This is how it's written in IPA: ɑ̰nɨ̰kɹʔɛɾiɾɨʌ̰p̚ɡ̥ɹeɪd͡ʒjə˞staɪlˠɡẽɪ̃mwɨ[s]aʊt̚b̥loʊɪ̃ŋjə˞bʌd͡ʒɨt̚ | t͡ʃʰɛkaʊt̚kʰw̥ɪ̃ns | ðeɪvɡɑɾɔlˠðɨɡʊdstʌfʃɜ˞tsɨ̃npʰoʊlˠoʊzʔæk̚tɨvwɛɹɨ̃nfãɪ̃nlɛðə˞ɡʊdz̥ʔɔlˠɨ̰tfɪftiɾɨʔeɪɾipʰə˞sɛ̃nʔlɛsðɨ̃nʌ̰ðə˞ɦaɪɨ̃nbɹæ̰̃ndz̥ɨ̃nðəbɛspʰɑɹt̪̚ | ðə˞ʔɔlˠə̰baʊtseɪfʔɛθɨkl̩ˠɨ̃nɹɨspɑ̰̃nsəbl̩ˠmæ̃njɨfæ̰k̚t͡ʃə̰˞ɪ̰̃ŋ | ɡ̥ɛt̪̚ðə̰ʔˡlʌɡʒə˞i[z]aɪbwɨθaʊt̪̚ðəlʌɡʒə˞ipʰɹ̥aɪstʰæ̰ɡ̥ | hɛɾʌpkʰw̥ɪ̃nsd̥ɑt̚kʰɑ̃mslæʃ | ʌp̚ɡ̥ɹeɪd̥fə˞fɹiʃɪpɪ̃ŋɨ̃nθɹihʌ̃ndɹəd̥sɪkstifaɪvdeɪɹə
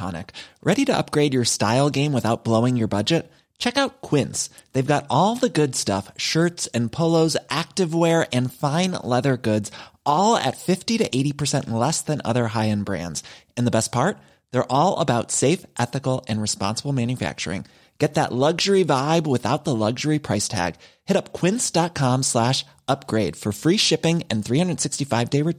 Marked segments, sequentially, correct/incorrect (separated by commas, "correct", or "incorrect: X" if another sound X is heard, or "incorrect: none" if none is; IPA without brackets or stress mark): incorrect: θ, incorrect: v